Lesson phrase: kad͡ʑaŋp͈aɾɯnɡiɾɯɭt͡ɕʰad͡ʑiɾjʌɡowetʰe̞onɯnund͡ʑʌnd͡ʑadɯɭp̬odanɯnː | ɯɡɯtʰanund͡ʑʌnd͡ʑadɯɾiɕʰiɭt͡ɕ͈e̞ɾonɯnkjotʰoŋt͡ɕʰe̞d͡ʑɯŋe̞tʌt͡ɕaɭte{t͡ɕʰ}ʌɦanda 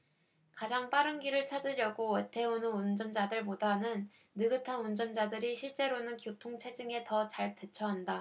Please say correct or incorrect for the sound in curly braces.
correct